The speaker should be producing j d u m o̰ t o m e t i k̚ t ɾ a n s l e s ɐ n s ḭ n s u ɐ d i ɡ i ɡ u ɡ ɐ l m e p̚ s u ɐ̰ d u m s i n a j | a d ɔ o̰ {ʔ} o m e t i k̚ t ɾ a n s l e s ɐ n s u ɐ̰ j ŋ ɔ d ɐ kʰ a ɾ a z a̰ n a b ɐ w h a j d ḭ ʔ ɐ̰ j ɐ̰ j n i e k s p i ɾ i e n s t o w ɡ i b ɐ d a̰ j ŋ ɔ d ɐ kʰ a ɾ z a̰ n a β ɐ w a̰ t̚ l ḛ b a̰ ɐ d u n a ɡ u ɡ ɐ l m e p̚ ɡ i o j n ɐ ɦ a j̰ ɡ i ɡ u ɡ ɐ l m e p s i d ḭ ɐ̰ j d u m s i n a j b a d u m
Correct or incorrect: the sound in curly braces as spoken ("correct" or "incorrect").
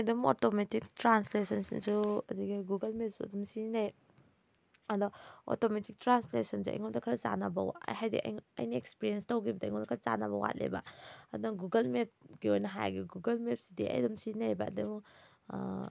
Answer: incorrect